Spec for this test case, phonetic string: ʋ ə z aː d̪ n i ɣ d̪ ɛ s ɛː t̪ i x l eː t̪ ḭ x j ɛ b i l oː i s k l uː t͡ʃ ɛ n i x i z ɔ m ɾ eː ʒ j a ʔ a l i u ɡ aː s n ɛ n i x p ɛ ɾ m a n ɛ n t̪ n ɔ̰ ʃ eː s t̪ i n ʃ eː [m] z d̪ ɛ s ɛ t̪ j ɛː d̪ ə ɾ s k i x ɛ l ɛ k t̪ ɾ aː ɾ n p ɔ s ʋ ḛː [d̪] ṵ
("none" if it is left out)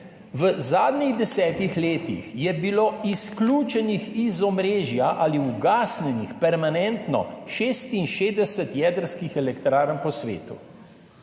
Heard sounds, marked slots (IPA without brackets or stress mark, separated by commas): none, t̪